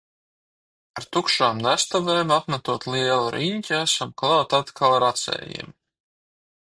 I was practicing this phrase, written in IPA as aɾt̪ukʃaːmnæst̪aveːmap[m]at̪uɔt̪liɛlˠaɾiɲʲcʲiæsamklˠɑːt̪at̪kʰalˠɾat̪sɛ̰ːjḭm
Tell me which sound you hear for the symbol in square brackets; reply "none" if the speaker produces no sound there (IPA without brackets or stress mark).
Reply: m